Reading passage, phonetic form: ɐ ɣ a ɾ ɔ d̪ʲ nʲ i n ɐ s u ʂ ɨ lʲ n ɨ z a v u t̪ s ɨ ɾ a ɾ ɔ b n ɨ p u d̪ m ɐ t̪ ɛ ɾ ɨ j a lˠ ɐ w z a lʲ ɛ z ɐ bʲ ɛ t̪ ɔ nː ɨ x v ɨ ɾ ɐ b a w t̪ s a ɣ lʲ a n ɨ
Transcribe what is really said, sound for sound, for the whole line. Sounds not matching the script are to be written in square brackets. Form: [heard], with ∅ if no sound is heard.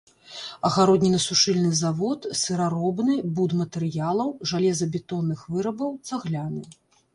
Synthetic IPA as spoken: ɐ ɣ a ɾ ɔ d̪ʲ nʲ i n ɐ s u ʂ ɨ lʲ n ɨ z a v [ɔ] t̪ s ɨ ɾ a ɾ ɔ b n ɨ [b] u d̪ m ɐ t̪ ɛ ɾ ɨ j a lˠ ɐ w [ʐ] a lʲ ɛ z ɐ bʲ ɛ t̪ ɔ nː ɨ x v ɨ ɾ ɐ b [ɐ] w t̪ s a ɣ lʲ a n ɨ